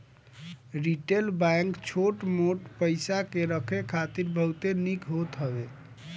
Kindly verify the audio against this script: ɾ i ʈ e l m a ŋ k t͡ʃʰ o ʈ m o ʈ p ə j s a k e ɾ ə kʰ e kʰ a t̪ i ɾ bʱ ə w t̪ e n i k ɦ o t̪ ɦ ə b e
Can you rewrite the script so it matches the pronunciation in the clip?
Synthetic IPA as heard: ɾ i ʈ e l b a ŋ k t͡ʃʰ o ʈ m o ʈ p ə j s a k e ɾ ə kʰ e kʰ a t̪ i ɾ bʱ ə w t̪ e n i k ɦ o t̪ ɦ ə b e